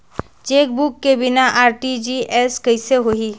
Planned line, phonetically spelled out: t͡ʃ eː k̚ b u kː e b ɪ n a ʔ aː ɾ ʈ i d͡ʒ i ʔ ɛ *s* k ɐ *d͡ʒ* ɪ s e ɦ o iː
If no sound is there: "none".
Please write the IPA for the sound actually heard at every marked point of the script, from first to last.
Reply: s, none

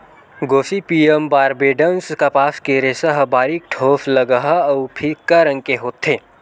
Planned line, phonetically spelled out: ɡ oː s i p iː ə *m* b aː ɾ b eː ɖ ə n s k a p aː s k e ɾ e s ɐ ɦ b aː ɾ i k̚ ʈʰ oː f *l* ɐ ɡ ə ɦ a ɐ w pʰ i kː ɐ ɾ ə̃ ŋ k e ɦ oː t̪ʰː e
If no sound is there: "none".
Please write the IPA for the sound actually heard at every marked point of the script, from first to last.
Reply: m, l

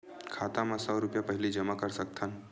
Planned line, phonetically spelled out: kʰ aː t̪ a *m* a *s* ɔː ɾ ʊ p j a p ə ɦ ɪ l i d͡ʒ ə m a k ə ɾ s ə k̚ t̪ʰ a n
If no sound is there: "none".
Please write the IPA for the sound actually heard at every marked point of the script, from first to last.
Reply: m, s

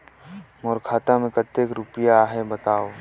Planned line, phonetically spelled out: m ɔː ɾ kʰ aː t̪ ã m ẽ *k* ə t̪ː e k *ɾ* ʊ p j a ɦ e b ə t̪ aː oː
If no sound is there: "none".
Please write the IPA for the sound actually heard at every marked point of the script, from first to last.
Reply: k, ɾ

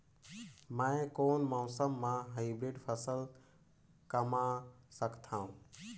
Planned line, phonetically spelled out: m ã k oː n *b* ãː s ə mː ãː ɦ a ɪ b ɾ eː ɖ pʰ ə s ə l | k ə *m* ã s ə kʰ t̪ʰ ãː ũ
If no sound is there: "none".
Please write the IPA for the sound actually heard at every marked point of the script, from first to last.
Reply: m, m

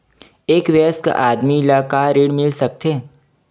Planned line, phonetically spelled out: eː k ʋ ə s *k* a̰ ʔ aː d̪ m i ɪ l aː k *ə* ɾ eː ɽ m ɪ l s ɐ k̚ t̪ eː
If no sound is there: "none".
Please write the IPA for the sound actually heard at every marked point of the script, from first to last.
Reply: k, a

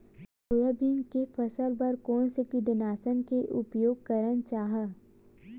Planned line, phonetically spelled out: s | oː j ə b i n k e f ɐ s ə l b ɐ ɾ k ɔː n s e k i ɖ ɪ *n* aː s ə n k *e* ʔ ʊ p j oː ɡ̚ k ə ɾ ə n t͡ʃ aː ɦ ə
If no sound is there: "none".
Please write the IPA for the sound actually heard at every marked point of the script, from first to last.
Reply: n, e

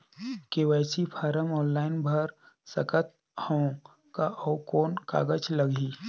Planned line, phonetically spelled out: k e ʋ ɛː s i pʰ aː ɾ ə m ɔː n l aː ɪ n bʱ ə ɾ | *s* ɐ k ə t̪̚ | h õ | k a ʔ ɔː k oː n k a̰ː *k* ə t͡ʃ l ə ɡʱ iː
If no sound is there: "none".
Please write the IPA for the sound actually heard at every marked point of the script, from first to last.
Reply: s, ɡ

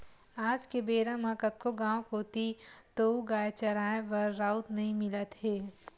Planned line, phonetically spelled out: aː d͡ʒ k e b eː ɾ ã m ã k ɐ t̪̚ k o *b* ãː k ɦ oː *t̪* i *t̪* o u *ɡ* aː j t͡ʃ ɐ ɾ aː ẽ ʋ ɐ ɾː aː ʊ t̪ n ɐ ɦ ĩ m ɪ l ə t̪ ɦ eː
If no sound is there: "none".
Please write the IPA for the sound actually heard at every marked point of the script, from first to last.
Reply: ɡ, t̪, t̪, ɡ

